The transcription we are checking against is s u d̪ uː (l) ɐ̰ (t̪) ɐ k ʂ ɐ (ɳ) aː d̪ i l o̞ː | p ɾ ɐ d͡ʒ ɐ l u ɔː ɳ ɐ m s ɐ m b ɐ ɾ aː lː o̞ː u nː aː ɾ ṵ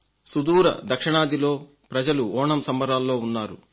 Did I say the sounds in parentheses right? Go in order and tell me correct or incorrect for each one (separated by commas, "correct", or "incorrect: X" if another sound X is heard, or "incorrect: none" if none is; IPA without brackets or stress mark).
incorrect: ɾ, incorrect: d̪, correct